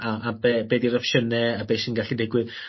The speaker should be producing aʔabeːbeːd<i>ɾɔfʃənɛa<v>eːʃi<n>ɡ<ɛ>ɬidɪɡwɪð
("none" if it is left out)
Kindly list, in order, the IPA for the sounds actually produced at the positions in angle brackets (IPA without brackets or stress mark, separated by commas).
i, b, n, a